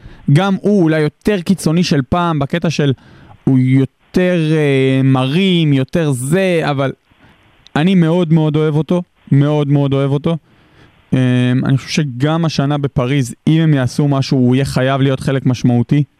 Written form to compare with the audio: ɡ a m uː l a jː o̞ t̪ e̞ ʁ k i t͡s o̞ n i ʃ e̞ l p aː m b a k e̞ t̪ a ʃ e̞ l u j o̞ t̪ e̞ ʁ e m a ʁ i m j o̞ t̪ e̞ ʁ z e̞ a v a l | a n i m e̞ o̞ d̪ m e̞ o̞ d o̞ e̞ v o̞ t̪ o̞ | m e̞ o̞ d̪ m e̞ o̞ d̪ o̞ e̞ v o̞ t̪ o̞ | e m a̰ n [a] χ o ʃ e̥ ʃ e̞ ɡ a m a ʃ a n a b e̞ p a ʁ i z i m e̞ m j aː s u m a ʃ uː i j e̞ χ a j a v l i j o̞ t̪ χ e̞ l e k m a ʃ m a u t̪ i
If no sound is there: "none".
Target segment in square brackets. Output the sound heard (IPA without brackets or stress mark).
i